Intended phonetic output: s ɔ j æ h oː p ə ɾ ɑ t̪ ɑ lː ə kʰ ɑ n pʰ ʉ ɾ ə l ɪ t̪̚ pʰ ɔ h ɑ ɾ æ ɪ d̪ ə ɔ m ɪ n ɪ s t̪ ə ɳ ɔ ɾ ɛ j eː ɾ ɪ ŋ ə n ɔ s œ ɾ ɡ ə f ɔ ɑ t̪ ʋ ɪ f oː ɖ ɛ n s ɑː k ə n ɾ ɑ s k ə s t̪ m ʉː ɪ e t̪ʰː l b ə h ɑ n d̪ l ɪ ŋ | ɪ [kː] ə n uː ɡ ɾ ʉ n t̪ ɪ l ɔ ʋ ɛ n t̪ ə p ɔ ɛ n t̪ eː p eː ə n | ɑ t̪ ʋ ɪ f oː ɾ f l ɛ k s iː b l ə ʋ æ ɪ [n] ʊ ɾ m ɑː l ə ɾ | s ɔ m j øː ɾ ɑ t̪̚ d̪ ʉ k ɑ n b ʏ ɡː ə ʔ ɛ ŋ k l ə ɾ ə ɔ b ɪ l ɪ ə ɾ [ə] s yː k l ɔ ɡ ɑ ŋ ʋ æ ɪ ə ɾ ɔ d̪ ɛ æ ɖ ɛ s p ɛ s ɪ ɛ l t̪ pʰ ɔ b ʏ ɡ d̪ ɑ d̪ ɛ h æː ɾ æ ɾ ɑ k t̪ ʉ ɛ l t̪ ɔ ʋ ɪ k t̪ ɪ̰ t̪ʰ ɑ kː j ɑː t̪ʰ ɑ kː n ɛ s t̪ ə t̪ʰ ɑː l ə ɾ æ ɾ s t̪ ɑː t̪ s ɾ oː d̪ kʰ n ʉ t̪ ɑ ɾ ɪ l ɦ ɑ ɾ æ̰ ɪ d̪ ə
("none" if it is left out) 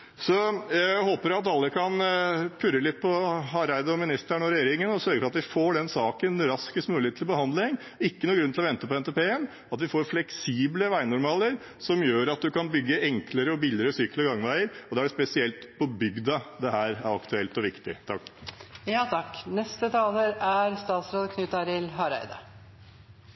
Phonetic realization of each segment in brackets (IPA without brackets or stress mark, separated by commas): kː, n, ə